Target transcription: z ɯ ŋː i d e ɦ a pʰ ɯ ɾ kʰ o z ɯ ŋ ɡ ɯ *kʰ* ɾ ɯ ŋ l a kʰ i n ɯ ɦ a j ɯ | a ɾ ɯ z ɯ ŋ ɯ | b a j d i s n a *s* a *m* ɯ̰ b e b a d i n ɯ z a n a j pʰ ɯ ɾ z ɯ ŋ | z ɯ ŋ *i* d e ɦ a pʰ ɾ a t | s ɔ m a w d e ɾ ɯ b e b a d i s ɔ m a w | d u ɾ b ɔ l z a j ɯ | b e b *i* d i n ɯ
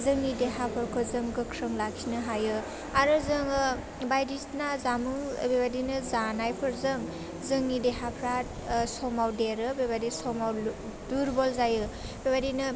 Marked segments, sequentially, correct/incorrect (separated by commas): correct, incorrect, correct, correct, incorrect